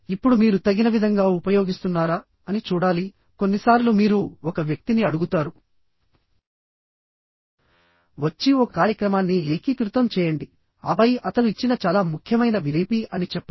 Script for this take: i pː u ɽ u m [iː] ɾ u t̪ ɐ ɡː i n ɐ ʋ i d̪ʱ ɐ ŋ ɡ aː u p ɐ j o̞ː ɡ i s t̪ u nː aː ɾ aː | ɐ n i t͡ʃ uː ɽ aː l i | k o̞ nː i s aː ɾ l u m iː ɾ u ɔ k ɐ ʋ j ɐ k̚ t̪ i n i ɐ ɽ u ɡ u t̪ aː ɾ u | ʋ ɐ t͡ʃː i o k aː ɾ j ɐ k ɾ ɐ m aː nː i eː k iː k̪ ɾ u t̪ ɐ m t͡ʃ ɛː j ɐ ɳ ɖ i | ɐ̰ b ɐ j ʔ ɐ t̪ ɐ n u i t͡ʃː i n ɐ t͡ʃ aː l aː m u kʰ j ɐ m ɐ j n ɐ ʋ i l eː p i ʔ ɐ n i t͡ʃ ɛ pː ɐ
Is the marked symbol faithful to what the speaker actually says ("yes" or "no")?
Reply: yes